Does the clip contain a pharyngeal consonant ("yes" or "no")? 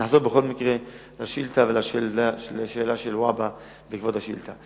yes